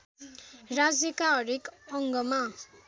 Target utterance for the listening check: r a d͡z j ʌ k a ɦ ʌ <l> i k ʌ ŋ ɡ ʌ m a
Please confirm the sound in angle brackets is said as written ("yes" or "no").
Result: no